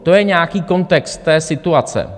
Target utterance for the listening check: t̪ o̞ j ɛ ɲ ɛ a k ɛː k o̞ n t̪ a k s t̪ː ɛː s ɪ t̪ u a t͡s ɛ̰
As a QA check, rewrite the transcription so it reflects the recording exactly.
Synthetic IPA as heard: t̪ o̞ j ɛ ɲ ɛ a k iː k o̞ n t̪ ɛ k s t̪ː ɛː s ɪ t̪ u a t͡s ɛ̰

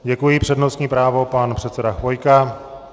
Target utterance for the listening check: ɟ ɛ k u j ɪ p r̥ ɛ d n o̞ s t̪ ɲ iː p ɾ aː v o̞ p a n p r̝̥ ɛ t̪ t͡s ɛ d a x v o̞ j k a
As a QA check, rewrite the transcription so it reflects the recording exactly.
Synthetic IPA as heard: ɟ ɛ k u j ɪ p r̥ ɛ d n o̞ s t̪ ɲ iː p ɾ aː v o̞ p a n p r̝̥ ɛ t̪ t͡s ɛ d a x v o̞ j k a

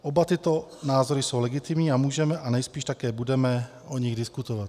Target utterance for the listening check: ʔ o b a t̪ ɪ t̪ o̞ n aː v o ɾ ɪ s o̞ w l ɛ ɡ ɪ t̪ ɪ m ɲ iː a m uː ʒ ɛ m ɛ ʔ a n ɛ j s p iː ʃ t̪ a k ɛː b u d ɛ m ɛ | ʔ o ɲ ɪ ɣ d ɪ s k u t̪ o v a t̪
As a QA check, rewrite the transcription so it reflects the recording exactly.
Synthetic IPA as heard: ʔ o b a t̪ ɪ t̪ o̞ n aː z o ɾ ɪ s o̞ w l ɛ ɡ ɪ t̪ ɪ m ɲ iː a m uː ʒ ɛ m ɛ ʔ a n ɛ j s p iː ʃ t̪ a k ɛː b u d ɛ m ɛ | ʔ o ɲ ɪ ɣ d ɪ s k u t̪ o v a t̪

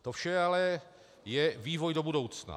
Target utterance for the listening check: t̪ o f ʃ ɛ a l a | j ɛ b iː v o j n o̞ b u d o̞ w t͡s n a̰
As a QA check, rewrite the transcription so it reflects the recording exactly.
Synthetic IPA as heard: t̪ o f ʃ ɛ a l ɛ | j ɛ v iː v o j d o̞ b u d o̞ w t͡s n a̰

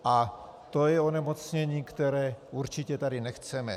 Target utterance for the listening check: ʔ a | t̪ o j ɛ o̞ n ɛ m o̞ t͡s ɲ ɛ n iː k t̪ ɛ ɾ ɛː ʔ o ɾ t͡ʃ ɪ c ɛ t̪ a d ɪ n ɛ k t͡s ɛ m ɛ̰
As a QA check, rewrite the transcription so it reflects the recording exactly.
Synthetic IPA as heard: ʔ a | t̪ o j ɛ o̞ n ɛ m o̞ t͡s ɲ ɛ ɲ iː k t̪ ɛ ɾ ɛː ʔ u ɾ t͡ʃ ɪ c ɛ t̪ a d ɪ n ɛ x t͡s ɛ m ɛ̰

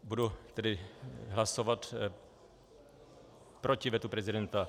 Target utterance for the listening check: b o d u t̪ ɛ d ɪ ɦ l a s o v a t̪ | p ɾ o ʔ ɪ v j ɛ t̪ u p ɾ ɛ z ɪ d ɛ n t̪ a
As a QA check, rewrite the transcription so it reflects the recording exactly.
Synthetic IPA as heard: b u d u t̪ ɛ d ɪ ɦ l a s o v a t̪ | p ɾ o c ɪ v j ɛ t̪ u p ɾ ɛ z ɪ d ɛ n t̪ a

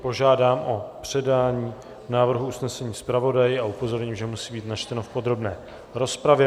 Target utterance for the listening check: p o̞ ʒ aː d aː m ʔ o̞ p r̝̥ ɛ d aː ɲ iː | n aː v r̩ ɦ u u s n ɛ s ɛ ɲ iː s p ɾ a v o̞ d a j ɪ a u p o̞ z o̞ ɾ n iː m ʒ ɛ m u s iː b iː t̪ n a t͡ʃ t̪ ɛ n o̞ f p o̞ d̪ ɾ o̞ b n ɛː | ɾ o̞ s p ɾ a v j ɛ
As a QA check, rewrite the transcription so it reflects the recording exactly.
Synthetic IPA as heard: p o̞ ʒ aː d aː m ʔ o̞ p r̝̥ ɛ d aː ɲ iː | n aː v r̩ ɦ u u s n ɛ s ɛ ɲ iː s p ɾ a v o̞ d a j ɪ a u p o̞ z o̞ ɾ ɲ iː m ʒ ɛ m u s iː b iː t̪ n a t͡ʃ t̪ ɛ n o̞ f p o̞ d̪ ɾ o̞ b n ɛː | ɾ o̞ s p ɾ a v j ɛ

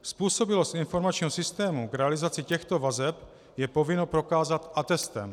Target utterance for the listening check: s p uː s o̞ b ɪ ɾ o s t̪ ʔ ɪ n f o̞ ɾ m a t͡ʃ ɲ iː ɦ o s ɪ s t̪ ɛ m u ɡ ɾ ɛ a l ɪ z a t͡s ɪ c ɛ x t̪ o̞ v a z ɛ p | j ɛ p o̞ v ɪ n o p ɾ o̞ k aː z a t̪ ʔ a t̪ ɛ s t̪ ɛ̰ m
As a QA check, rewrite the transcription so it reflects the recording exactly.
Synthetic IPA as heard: s p uː s o̞ b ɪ l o s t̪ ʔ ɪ n f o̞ ɾ m a t͡ʃ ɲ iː ɦ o s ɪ s t̪ ɛː m u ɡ ɾ ɛ a l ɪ z a t͡s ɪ c ɛ x t̪ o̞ v a z ɛ p | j ɛ p o̞ v ɪ n o p ɾ o̞ k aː z a t̪ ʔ a t̪ ɛ s t̪ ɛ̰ m

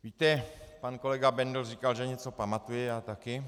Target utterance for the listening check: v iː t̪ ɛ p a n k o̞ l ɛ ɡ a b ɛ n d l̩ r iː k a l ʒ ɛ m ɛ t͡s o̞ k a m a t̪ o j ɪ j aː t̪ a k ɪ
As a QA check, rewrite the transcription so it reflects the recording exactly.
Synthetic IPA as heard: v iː t̪ ɛ p a n k o̞ l ɛ ɡ a b ɛ n d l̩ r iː k a l ʒ ɛ ɲ ɛ t͡s o̞ p a m a t̪ u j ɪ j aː t̪ a k ɪ

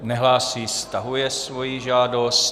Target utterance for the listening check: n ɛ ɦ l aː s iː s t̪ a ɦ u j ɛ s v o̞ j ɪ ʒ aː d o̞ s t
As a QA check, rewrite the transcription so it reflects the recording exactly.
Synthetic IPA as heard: n ɛ ɦ l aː s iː s t̪ a ɦ u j ɛ s v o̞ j i ʒ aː d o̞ s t

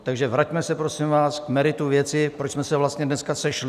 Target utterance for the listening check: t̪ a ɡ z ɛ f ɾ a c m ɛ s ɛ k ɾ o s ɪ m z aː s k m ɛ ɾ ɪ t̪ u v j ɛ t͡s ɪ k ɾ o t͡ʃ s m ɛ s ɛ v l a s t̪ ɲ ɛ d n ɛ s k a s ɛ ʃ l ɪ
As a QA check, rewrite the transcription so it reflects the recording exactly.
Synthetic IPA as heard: t̪ a ɡ ʒ ɛ v ɾ a c m ɛ s ɛ p ɾ o s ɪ m v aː s k m ɛ ɾ ɪ t̪ u v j ɛ t͡s ɪ p ɾ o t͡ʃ s m ɛ s ɛ v l a s t̪ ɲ ɛ d n ɛ s k a s ɛ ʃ l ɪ

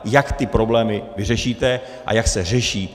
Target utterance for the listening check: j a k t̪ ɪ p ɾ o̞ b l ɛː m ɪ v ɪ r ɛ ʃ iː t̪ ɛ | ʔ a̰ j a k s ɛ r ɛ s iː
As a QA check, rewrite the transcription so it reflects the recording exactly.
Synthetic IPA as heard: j a k t̪ ɪ p ɾ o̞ b l ɛː m ɪ v ɪ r ɛ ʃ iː t̪ ɛ | ʔ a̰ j a k s ɛ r ɛ ʃ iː

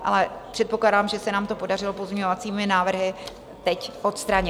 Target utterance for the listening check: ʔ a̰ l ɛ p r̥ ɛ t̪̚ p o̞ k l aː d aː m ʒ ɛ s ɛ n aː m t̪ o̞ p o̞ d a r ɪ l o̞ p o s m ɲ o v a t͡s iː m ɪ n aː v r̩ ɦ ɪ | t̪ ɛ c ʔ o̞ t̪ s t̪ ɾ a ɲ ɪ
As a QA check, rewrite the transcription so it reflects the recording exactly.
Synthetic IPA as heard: ʔ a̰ l ɛ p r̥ ɛ t̪̚ p o̞ k l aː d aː m ʒ ɛ s ɛ n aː m t̪ o̞ p o̞ d a r ɪ l o̞ p o z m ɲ o v a t͡s iː m ɪ n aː v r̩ ɦ ɪ | t̪ ɛ c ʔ o̞ t̪ s t̪ ɾ a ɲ ɪ

